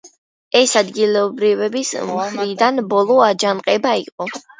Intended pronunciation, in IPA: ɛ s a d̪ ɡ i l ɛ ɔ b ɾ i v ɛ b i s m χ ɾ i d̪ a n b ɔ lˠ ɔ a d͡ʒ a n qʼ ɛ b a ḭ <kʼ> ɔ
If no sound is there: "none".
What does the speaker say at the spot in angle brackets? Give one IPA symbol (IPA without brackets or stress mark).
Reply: qʼ